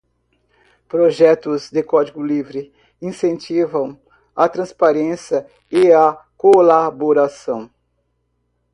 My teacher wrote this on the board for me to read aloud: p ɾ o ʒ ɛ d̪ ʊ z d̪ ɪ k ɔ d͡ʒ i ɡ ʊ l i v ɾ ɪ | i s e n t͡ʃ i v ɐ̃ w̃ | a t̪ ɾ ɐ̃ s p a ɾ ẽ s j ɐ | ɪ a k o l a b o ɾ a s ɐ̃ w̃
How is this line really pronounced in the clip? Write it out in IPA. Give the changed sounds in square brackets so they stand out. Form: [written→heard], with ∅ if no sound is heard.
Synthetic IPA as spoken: p ɾ o ʒ ɛ [d̪→t̪] ʊ z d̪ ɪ k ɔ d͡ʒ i ɡ ʊ l i v ɾ ɪ | [i→ĩ] s [e→ẽ] n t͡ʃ i v ɐ̃ w̃ | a t̪ ɾ ɐ̃ s p a ɾ ẽ s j ɐ | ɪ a k o l a b o ɾ a s ɐ̃ w̃